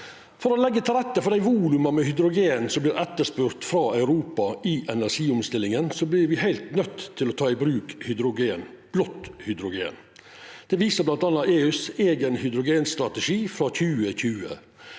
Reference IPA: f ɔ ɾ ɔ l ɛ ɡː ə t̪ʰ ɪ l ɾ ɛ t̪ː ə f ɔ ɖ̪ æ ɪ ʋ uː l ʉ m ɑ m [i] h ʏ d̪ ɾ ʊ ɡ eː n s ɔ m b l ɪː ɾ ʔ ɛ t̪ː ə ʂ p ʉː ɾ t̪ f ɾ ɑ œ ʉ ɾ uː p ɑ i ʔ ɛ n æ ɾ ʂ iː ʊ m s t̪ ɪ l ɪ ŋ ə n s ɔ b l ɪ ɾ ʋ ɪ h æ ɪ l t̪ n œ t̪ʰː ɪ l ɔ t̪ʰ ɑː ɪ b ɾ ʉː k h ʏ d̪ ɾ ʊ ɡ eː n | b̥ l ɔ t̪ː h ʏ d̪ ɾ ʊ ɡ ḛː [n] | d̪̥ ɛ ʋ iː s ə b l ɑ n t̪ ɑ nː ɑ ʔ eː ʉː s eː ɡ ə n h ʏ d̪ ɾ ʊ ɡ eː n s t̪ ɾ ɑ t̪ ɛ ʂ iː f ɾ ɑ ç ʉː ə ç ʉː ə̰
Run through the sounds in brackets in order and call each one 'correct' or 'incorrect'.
incorrect, correct

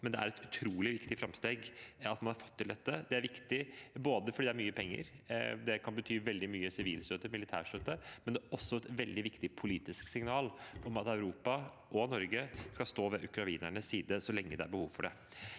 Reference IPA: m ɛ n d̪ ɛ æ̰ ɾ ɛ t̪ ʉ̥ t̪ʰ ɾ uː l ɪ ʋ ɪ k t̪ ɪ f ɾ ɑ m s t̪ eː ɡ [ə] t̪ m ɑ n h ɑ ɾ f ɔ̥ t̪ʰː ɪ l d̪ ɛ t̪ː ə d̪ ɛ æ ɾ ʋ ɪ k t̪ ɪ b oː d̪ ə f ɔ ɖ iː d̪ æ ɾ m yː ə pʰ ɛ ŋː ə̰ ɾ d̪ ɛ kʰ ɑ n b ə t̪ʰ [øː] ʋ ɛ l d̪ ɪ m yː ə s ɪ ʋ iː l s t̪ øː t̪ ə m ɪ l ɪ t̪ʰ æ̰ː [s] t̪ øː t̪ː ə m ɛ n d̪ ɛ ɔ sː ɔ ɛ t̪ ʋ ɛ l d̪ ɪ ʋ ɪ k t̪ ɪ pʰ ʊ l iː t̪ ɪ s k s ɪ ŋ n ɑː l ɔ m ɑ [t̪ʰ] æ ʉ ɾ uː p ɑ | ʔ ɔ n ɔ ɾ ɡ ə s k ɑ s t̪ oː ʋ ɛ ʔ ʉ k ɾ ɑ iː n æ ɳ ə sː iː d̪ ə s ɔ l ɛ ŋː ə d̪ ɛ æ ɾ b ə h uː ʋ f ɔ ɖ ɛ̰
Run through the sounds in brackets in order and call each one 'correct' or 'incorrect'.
incorrect, incorrect, incorrect, incorrect

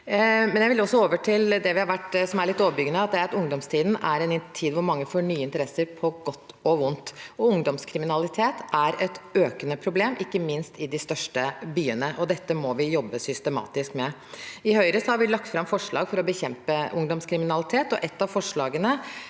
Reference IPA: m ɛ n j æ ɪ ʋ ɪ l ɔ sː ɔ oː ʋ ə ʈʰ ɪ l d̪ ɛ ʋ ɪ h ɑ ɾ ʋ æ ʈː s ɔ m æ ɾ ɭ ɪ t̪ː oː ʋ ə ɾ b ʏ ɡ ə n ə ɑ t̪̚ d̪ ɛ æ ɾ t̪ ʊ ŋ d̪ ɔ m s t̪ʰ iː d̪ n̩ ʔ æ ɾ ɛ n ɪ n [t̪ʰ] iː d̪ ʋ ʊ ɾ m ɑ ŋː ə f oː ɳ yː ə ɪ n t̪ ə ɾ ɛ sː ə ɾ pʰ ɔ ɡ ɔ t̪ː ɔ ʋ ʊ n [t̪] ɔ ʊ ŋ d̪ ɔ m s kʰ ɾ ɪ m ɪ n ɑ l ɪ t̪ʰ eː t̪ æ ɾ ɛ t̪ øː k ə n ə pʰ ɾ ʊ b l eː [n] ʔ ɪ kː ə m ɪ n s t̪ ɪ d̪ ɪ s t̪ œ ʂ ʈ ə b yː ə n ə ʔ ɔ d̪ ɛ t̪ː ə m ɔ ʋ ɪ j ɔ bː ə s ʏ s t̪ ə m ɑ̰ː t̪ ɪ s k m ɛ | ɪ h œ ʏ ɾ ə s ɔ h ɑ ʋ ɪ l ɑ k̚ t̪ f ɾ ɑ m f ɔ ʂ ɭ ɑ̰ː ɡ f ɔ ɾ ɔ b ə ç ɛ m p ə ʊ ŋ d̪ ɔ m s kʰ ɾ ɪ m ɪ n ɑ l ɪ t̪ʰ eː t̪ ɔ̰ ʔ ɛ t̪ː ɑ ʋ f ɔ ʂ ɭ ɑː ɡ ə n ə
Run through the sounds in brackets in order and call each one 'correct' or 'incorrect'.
correct, correct, incorrect

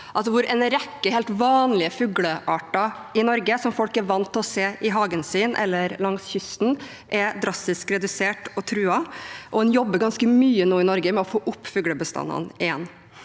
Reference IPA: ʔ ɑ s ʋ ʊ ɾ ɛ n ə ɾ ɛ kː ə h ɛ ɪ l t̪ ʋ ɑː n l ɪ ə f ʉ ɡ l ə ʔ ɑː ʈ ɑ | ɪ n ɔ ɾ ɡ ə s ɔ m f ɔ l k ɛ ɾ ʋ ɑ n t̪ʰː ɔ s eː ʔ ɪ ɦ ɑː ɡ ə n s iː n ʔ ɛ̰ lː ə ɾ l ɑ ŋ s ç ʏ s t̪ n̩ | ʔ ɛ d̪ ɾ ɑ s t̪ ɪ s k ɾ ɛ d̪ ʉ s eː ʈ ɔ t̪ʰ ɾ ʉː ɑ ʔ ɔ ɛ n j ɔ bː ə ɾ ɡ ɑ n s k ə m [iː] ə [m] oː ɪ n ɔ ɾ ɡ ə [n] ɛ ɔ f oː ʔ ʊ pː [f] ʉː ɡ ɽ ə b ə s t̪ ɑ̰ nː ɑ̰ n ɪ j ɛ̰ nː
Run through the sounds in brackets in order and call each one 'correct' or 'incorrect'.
incorrect, incorrect, incorrect, correct

